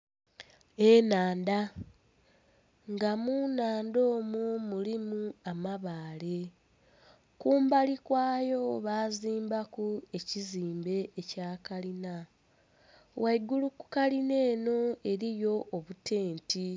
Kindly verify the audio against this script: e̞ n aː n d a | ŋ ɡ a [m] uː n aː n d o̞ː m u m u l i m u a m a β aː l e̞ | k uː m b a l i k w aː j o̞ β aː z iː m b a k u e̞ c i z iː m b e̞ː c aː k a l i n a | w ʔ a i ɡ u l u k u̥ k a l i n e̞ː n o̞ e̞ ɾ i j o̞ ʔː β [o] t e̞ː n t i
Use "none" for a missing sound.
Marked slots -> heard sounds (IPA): m, u

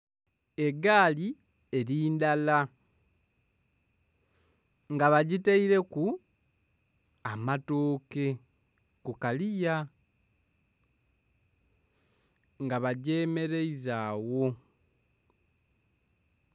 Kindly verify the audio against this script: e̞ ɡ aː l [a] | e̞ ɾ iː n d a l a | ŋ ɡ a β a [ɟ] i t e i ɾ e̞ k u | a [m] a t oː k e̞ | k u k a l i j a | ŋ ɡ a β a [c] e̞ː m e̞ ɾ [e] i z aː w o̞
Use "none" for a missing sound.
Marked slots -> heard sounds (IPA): i, ɟ, m, ɟ, e

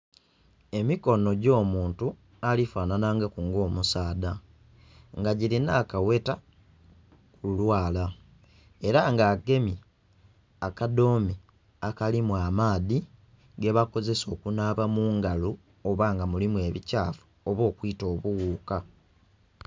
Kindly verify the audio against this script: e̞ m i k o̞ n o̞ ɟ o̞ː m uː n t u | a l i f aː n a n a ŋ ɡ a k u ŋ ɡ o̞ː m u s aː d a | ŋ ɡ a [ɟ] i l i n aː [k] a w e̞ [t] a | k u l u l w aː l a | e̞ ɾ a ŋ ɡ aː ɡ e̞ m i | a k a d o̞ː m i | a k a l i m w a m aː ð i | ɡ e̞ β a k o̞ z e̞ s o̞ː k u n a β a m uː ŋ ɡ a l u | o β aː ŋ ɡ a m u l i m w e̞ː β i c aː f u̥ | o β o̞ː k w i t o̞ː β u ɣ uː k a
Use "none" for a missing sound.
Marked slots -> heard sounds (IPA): ɟ, k, t

